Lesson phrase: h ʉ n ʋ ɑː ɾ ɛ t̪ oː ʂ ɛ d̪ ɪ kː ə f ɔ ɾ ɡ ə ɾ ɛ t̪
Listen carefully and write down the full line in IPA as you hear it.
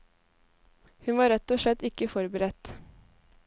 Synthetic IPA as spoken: h ʉ n ʋ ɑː ɾ ɛ t̪ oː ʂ ɛ t̪ ɪ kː ə f ɔ ɾ b ə ɾ ɛ t̪